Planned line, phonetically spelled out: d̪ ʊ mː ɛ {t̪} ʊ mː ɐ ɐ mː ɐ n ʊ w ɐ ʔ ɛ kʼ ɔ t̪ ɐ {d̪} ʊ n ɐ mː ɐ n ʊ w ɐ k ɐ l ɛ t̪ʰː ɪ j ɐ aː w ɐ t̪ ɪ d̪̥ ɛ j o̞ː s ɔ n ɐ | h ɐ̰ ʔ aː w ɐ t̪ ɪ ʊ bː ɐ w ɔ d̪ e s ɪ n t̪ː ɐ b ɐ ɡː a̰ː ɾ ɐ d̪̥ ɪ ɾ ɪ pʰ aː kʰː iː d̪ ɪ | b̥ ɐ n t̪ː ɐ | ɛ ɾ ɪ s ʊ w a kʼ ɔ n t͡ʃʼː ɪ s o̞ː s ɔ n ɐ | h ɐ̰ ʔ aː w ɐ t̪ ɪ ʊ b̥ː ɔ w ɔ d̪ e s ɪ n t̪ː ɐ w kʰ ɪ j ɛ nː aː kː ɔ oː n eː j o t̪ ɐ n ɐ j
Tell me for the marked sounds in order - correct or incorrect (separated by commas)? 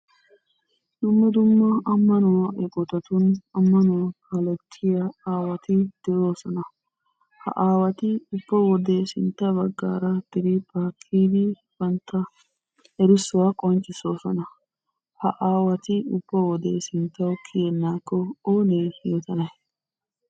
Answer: incorrect, incorrect